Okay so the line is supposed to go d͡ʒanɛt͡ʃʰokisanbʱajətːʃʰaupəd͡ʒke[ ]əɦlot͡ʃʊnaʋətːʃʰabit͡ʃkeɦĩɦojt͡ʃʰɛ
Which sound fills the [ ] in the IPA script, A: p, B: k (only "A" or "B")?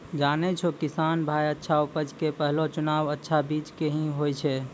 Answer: A